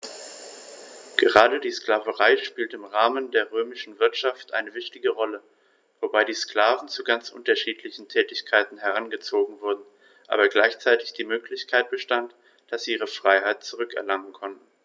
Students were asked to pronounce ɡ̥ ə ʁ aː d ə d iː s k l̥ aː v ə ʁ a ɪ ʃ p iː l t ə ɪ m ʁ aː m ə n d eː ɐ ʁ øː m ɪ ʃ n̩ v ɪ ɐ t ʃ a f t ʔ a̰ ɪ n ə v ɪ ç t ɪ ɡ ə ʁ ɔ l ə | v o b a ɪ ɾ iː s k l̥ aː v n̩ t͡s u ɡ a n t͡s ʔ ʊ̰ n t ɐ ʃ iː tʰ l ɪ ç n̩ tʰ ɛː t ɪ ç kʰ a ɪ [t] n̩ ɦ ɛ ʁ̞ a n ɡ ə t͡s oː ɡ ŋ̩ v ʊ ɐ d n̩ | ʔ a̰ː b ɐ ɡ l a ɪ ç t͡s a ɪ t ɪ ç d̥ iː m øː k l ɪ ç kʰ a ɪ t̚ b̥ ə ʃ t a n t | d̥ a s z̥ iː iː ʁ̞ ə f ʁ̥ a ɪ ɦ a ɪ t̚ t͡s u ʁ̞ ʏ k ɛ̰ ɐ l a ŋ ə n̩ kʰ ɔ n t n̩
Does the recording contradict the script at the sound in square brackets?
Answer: no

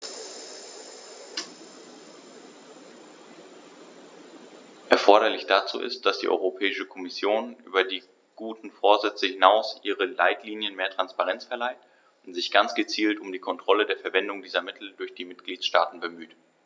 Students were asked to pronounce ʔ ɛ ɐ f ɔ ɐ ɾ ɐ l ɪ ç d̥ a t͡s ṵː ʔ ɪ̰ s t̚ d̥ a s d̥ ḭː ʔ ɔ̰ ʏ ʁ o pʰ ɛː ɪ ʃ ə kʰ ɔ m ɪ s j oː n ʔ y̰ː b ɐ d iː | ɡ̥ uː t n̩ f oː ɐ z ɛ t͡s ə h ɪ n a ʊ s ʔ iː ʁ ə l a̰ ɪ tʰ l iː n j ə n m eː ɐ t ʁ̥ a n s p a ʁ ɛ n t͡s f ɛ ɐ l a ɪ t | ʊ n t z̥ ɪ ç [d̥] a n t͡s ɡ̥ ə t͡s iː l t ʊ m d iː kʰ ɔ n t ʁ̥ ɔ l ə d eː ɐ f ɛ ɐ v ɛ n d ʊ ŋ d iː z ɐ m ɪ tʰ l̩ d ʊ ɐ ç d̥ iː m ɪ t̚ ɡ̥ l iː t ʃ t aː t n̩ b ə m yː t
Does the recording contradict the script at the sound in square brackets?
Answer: yes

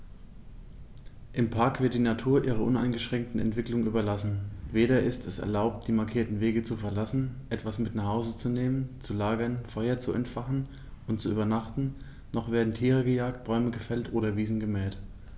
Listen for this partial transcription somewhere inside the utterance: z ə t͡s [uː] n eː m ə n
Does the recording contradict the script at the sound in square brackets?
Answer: yes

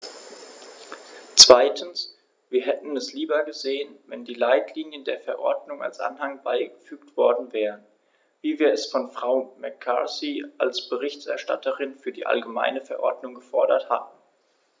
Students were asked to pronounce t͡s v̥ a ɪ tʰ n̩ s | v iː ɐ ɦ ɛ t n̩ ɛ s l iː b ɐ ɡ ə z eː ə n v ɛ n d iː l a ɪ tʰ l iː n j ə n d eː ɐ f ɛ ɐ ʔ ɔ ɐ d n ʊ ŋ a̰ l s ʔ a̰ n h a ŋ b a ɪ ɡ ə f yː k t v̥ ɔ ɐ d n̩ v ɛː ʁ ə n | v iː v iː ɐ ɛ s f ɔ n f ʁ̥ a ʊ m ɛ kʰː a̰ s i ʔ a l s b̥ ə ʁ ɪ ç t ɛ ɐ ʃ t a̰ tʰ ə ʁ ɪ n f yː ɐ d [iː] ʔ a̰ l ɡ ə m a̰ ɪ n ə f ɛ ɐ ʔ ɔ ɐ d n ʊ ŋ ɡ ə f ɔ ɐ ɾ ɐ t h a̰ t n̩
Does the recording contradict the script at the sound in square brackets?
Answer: no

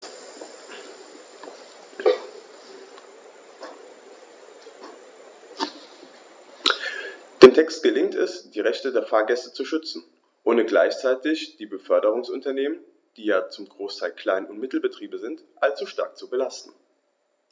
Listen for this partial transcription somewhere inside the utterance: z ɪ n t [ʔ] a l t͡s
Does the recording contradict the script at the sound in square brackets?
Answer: no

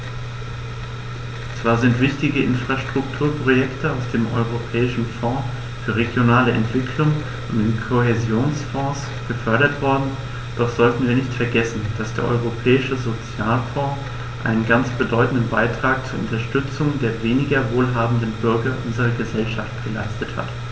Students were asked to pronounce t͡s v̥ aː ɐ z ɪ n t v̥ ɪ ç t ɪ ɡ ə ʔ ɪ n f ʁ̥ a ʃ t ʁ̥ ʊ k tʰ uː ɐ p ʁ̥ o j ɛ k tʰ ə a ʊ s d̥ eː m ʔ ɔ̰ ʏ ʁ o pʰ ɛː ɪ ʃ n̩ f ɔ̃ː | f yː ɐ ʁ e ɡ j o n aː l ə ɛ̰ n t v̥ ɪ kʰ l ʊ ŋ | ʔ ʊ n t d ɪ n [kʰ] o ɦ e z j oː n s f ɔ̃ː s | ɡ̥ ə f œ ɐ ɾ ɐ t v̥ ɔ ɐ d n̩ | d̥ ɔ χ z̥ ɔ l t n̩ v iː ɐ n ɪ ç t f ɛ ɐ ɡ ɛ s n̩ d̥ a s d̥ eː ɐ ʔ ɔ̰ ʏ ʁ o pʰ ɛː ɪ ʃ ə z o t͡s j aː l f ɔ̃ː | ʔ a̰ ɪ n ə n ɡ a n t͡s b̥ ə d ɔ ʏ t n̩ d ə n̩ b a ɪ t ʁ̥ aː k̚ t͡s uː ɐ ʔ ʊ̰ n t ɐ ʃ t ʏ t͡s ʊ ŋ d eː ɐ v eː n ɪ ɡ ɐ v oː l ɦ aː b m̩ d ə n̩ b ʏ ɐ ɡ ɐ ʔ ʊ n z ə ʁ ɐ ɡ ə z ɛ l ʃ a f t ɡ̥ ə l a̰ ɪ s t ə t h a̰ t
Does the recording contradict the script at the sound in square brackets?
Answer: no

